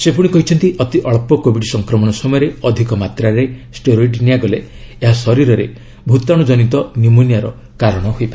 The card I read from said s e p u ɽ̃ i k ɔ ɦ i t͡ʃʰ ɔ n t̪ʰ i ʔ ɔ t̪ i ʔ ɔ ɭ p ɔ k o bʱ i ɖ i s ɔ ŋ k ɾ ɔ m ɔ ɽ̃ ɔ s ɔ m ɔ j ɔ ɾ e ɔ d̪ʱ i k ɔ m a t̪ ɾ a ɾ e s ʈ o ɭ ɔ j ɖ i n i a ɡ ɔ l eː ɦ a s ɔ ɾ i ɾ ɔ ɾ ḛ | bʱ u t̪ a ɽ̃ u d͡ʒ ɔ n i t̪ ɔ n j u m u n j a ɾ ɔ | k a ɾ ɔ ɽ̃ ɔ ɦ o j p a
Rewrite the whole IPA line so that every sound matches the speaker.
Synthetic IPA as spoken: s e p u ɽ̃ i k ɔ ɦ i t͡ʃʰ ɔ n t̪ i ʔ ɔ t̪ i ʔ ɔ ɭ p ɔ k o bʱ i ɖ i s ɔ ŋ k ɾ ɔ m ɔ ɽ̃ ɔ s ɔ m ɔ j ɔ ɾ e ɔ d̪ʱ i k ɔ m a t̪ ɾ a ɾ e s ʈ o ɾ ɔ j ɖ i n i a ɡ ɔ l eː ɦ a s ɔ ɾ i ɾ ɔ ɾ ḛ | bʱ u t̪ a ɽ̃ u d͡ʒ ɔ n i t̪ ɔ n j u m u n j a ɾ ɔ | k a ɾ ɔ ɽ̃ ɔ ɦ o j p a

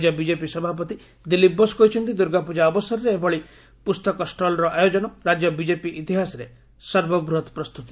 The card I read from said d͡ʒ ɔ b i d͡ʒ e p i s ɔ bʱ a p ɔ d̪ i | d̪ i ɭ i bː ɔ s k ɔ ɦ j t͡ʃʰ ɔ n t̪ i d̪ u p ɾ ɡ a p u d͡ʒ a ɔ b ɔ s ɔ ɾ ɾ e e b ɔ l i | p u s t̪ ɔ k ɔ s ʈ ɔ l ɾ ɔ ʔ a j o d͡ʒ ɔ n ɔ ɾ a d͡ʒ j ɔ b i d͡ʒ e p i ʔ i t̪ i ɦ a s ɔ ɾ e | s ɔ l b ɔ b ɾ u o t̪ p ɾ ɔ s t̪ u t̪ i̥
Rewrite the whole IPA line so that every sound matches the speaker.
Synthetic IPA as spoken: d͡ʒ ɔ b i d͡ʒ e p i s ɔ bʱ a p ɔ t̪ i | d̪ i l i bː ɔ s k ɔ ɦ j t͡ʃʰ ɔ n t̪ i d̪ u ɾ ɡ a p u d͡ʒ a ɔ b ɔ s ɔ ɾ ɾ e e b ɔ ɭ i | p u s t̪ ɔ k ɔ s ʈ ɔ l ɾ ɔ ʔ a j o d͡ʒ ɔ n ɔ ɾ a d͡ʒ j ɔ b i d͡ʒ e p i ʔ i t̪ i ɦ a s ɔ ɾ e | s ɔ ɾ b ɔ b ɾ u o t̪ p ɾ ɔ s t̪ u t̪ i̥

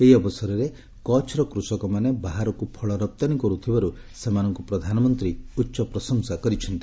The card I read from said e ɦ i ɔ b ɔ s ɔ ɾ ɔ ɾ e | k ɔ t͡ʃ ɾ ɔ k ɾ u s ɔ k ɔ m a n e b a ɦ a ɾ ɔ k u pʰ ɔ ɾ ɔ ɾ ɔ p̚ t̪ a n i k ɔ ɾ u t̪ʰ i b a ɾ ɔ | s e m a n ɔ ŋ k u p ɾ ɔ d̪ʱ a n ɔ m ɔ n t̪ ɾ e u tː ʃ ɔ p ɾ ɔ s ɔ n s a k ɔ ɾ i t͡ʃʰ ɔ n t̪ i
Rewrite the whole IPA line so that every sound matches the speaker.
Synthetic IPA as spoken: e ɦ i ɔ b ɔ s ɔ ɾ ɔ ɾ e | k ɔ t͡ʃ ɾ ɔ k ɾ u s ɔ k ɔ m a n e b a ɦ a ɾ ɔ k u pʰ ɔ ɭ ɔ ɾ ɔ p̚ t̪ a n i k ɔ ɾ u t̪ʰ i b a ɾ u | s e m a n ɔ ŋ k u p ɾ ɔ d̪ʱ a n ɔ m ɔ n t̪ ɾ i u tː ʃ ɔ p ɾ ɔ s ɔ ŋ s a k ɔ ɾ i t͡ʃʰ ɔ n t̪ i

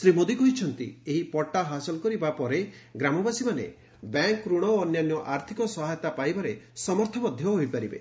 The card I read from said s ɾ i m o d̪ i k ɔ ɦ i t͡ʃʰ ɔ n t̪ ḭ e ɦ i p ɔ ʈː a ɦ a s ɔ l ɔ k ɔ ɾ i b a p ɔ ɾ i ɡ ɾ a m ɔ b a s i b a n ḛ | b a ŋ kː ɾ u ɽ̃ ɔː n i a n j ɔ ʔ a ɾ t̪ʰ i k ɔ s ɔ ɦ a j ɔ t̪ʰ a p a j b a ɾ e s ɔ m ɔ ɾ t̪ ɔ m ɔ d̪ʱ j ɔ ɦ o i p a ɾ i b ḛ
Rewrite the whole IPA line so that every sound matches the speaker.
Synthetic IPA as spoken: s ɾ i m o d̪ i k ɔ ɦ i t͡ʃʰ ɔ n t̪ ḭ e ɦ i p ɔ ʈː a ɦ a s ɔ l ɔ k ɔ ɾ i b a p ɔ ɾ e ɡ ɾ a m ɔ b a s i m a n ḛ | b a ŋ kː ɾ u ɽ̃ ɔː n j a n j ɔ ʔ a ɾ t̪ʰ i k ɔ s ɔ ɦ a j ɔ t̪ a p a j b a ɾ e s ɔ m ɔ ɾ t̪ʰ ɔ m ɔ d̪ʱ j ɔ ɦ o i p a ɾ i b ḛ

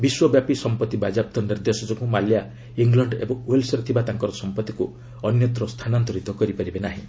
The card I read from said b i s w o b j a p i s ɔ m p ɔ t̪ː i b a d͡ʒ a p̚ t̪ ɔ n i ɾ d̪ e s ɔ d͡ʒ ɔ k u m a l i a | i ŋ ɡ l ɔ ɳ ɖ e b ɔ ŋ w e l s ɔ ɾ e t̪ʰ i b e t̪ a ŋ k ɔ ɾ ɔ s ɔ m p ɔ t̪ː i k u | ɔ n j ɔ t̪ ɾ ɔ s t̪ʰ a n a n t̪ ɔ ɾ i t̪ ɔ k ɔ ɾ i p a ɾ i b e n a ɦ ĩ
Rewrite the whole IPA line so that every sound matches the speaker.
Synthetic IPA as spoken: b i s w ɔ b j a p i s ɔ m p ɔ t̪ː i b a d͡ʒ a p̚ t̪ ɔ n i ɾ d̪ e s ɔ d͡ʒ ɔ k u m a l j a | i ŋ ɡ l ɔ ɳ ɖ e b ɔ ŋ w e l s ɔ ɾ e t̪ʰ i b a t̪ a ŋ k ɔ ɾ ɔ s ɔ m p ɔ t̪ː i k u | ɔ n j ɔ t̪ ɾ ɔ s t̪ʰ a n a n t̪ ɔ ɾ i t̪ ɔ k ɔ ɾ i p a ɾ i b e n a ɦ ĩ

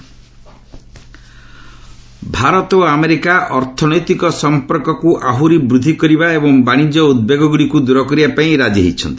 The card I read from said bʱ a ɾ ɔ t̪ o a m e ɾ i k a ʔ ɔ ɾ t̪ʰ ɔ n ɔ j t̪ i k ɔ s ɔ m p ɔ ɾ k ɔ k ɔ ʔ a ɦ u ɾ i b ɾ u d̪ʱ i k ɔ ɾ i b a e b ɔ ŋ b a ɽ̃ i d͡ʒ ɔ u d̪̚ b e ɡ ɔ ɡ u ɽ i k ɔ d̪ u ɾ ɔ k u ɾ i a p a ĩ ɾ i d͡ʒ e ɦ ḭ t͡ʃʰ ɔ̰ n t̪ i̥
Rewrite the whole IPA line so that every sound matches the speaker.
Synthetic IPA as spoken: bʱ a ɾ ɔ t̪ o a m e ɾ i k a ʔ ɔ ɾ t̪ʰ ɔ n ɔ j t̪ i k ɔ s ɔ m p ɔ ɾ k ɔ k u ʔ a ɦ u ɾ i b ɾ u d̪ʱ i k ɔ ɾ i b a e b ɔ ŋ b a ɽ̃ i d͡ʒ ɔ u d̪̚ b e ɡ ɔ ɡ u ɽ i k u d̪ u ɾ ɔ k ɔ ɾ i a p a ĩ ɾ a d͡ʒ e ɦ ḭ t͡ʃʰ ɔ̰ n t̪ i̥

